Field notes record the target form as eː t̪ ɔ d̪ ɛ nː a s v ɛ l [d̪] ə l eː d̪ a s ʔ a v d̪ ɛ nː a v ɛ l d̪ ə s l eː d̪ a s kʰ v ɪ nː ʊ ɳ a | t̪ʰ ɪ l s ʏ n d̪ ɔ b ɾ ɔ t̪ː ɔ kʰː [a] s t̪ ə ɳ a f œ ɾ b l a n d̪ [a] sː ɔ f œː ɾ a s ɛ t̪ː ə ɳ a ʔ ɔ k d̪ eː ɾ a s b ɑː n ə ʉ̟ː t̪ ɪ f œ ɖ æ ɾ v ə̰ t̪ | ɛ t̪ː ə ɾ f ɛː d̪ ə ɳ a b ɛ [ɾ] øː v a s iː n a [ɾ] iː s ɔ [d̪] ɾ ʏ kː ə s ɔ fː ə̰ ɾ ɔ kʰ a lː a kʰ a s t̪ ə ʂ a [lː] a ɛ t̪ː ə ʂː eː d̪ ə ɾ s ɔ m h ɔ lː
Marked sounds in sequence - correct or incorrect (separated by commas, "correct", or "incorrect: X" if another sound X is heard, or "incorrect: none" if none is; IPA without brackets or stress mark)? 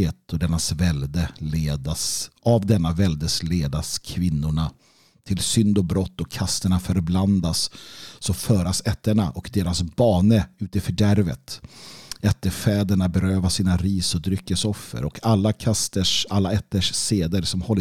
correct, correct, correct, correct, correct, correct, correct